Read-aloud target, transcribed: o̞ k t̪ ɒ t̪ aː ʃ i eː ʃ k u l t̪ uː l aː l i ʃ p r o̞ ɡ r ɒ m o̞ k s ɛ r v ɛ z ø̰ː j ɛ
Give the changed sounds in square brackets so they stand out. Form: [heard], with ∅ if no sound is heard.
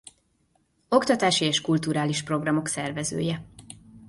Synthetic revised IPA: o̞ k t̪ ɒ t̪ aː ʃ i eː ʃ k u l t̪ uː [ɾ] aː l i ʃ p r o̞ ɡ r ɒ m o̞ k s ɛ r v ɛ z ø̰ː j ɛ